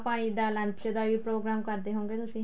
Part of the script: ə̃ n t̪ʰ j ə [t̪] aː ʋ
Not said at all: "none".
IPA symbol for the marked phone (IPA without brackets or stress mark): d̪